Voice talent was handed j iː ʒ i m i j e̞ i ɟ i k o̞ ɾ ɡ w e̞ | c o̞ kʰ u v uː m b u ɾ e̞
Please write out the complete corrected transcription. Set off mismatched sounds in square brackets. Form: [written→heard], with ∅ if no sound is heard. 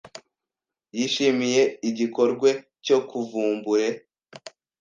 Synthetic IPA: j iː [ʒ→ʃ] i m i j e̞ i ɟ i k o̞ ɾ ɡ w e̞ | c o̞ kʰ u v uː m b u ɾ e̞